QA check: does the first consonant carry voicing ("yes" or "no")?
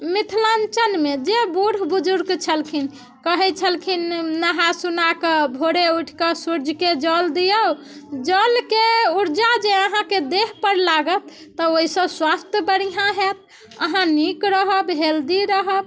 yes